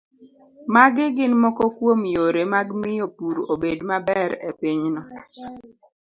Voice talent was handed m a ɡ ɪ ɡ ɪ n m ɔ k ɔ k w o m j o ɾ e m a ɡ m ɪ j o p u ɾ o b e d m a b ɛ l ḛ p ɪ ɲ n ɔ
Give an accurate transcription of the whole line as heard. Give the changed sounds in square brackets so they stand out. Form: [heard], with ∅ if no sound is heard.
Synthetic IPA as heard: m a ɡ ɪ ɡ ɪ n m ɔ k ɔ k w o m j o ɾ e m a ɡ m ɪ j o p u ɾ o b e d m a b ɛ [ɾ] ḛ p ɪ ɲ n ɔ